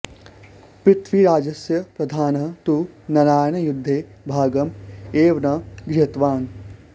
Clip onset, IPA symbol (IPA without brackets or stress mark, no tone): p